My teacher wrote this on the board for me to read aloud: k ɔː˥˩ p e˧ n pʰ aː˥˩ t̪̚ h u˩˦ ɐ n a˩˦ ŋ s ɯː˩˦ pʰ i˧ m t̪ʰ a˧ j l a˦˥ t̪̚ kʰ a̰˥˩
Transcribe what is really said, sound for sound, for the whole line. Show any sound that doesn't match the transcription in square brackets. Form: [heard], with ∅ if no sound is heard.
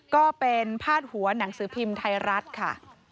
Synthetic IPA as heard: k ɔː˥˩ p e˧ n pʰ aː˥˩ t̪̚ h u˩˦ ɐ n a˩˦ ŋ s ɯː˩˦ pʰ i˧ m t̪ʰ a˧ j [ɾ] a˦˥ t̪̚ kʰ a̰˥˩